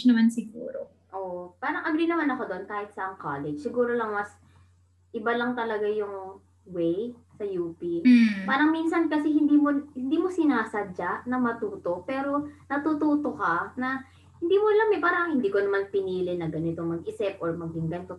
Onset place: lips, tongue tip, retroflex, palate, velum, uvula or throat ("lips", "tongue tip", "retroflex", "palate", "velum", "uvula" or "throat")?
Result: tongue tip